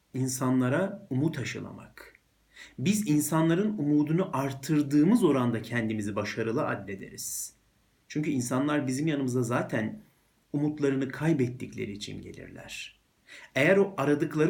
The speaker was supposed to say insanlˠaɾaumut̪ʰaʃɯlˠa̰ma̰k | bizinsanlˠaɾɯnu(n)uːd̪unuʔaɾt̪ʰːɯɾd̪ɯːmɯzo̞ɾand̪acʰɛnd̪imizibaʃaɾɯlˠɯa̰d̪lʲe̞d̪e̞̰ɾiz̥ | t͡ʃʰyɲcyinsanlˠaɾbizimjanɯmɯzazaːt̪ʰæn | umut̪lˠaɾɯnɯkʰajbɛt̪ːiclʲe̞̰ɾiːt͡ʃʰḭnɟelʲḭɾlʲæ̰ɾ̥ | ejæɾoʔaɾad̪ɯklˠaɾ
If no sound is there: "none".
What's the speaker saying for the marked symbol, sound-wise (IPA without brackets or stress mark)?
m